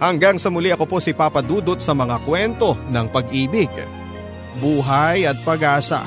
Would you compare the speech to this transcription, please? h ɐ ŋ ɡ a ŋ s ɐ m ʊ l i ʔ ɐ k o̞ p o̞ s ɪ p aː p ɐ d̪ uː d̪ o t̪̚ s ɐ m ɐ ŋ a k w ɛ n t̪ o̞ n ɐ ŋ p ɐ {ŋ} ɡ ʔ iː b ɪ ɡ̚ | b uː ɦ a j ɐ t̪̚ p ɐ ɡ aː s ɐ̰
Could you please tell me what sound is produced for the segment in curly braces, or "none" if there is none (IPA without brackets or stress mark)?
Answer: none